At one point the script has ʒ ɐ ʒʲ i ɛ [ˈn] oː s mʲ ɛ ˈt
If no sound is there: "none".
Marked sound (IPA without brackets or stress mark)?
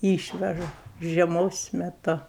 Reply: m